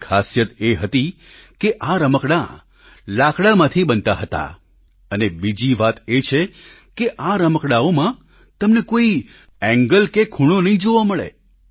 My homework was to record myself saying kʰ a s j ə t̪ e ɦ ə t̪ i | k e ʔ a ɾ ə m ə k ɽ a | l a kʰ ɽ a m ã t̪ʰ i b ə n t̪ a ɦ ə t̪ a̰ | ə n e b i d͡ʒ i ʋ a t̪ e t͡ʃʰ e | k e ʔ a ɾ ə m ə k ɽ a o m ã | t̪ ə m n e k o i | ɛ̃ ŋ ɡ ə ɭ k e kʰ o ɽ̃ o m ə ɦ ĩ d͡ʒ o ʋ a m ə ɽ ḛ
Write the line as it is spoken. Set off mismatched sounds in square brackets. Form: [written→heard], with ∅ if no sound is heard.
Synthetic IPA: kʰ a s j ə t̪ e ɦ ə t̪ i | k e ʔ a ɾ ə m ə k ɽ a | l a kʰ ɽ a m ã t̪ʰ i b ə n t̪ a ɦ ə t̪ a̰ | ə n e b i d͡ʒ i ʋ a t̪ e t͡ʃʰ e | k e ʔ a ɾ ə m ə k ɽ a o m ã | t̪ ə m n e k o i | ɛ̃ ŋ ɡ ə [ɭ→l] k e kʰ [o→u] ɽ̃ o [m→n] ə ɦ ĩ d͡ʒ o ʋ a m ə [ɽ→ɭ] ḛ

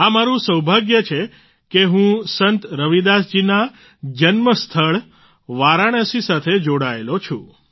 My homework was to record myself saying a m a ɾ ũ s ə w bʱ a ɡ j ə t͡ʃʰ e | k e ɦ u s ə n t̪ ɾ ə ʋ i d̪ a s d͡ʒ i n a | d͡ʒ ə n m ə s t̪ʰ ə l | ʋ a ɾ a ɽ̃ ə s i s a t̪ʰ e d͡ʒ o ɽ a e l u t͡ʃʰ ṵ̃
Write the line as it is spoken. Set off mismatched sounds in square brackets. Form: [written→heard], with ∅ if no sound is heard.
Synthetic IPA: a m a ɾ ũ s ə w bʱ a ɡ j ə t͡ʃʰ e | k e ɦ [u→ũ] s ə n t̪ ɾ ə ʋ i d̪ a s d͡ʒ i n a | d͡ʒ ə n m ə s t̪ʰ ə [l→ɭ] | ʋ a ɾ a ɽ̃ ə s i s a t̪ʰ e d͡ʒ o ɽ a e l [u→o] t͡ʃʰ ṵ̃

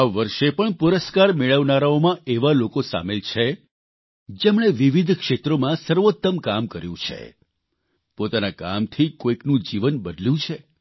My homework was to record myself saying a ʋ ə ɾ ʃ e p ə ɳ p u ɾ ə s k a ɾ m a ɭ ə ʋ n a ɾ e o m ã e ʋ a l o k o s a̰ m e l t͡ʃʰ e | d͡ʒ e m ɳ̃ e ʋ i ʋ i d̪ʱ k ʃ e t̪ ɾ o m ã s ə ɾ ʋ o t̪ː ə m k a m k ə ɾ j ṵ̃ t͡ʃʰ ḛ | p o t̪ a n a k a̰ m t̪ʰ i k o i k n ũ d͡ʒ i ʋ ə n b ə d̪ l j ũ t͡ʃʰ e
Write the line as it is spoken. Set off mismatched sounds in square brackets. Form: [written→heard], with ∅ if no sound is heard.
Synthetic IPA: a ʋ ə ɾ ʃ e p ə ɳ p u ɾ ə s k a ɾ m [a→e] ɭ ə ʋ n a ɾ [e→a] o m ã e ʋ a l o k o s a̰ m e l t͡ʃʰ e | d͡ʒ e m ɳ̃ e ʋ i ʋ i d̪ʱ k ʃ e t̪ ɾ o m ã s ə ɾ ʋ o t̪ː ə m k a m k ə ɾ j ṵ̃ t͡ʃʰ ḛ | p o t̪ a n a k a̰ m t̪ʰ i k o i k n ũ d͡ʒ i ʋ ə n b ə d̪ l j ũ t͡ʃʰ e

